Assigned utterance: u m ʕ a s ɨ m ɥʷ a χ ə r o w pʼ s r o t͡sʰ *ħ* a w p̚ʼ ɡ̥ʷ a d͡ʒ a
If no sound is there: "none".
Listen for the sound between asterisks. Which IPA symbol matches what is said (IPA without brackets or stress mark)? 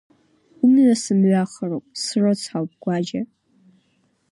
ħ